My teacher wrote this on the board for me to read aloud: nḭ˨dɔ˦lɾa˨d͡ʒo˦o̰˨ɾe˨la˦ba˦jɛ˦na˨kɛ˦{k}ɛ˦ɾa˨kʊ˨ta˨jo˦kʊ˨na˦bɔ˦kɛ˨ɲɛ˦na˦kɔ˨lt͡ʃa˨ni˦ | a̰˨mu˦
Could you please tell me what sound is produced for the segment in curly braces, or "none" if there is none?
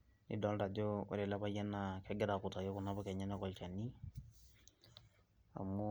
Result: ɡ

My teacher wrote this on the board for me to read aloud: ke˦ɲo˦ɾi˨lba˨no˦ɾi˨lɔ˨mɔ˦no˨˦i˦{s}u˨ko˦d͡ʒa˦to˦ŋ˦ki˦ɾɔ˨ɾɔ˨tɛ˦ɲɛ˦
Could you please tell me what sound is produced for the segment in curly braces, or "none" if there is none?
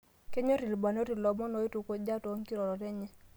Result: t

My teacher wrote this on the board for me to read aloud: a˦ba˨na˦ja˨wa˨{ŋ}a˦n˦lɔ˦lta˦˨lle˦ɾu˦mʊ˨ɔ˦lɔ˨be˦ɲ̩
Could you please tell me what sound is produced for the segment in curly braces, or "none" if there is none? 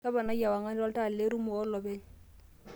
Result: ŋ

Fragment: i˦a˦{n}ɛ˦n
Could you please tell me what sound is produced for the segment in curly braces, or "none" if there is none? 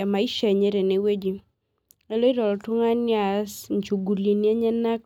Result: ɲ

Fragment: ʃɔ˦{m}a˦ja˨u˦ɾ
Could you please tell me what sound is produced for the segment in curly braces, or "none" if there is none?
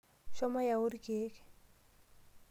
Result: m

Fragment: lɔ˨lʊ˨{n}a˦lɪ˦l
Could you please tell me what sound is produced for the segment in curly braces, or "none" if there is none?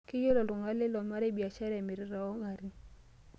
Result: ŋ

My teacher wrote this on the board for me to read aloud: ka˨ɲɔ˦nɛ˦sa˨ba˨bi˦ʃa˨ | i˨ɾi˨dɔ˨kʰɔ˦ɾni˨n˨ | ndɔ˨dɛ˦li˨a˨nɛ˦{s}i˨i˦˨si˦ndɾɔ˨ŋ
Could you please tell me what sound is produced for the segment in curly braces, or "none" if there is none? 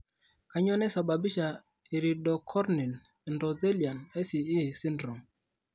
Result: s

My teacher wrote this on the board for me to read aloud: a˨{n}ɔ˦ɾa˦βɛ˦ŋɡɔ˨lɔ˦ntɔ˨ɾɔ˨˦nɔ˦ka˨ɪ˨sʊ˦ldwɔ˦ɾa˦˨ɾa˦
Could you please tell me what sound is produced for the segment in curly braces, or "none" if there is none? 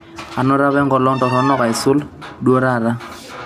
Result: n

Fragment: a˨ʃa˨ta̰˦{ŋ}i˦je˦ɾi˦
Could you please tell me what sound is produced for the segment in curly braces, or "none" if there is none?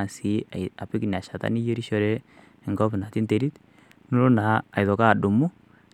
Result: n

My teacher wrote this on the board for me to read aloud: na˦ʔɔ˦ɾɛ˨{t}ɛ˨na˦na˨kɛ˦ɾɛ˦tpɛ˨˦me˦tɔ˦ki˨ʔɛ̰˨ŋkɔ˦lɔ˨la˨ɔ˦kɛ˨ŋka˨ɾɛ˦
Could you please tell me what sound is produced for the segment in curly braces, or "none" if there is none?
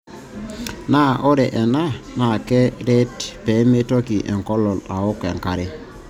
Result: ʔ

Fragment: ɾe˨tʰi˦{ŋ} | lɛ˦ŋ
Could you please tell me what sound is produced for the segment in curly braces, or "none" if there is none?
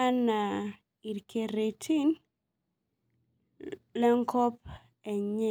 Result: n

